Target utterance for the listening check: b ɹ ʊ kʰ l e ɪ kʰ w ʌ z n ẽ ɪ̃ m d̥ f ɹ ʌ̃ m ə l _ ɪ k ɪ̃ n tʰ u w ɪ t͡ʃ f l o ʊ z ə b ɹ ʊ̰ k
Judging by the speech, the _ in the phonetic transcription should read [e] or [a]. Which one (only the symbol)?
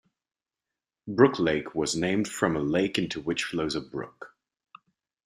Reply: e